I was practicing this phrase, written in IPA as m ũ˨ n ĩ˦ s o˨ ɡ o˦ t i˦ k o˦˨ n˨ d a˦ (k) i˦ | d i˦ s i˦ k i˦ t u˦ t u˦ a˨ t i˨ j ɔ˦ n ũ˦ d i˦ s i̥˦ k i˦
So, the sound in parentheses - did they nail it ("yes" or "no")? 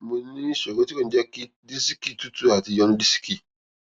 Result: yes